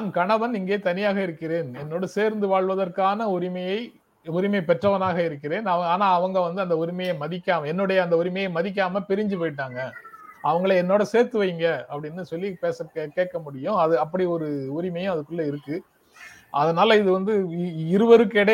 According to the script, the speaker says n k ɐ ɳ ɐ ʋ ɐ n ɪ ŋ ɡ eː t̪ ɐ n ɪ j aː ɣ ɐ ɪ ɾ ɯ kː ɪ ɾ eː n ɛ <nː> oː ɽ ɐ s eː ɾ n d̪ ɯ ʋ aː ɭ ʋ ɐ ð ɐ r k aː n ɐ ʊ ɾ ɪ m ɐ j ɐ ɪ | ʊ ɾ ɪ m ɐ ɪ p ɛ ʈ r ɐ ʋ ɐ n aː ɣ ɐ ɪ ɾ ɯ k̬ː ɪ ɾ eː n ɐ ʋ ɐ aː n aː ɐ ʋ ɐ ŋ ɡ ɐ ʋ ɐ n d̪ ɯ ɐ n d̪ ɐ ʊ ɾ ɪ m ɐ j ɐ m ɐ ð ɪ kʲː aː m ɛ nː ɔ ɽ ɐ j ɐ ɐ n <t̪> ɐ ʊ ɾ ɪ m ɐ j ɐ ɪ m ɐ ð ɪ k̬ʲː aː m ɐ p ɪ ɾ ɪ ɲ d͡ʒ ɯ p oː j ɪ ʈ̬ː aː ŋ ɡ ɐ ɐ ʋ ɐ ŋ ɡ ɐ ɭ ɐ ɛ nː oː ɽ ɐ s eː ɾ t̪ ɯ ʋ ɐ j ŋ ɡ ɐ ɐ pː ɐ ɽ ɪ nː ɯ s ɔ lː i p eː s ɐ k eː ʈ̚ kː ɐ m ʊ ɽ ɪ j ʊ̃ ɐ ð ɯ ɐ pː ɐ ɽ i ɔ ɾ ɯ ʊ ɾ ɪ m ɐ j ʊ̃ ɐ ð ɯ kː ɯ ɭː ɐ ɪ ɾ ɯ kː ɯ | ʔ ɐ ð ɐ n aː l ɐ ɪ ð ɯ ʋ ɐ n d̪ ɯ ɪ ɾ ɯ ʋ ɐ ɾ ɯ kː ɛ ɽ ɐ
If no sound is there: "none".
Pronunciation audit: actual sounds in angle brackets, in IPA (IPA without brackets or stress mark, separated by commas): nː, d̪